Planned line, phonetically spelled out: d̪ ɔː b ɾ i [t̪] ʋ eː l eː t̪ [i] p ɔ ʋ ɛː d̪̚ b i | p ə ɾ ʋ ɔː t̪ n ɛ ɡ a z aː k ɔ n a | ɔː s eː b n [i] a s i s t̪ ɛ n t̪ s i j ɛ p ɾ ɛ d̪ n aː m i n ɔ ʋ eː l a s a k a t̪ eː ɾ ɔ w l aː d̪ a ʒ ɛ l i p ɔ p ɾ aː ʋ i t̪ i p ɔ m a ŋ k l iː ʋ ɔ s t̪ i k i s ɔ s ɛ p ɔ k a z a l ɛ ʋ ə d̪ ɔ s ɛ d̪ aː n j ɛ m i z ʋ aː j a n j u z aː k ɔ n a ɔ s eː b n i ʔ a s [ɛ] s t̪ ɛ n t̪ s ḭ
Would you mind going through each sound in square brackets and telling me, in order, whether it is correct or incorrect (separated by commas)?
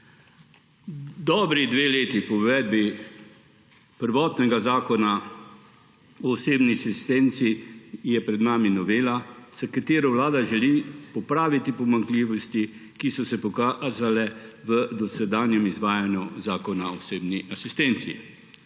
incorrect, correct, correct, incorrect